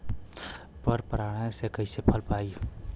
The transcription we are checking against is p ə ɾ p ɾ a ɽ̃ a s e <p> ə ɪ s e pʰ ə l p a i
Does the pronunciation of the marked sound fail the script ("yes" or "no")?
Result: yes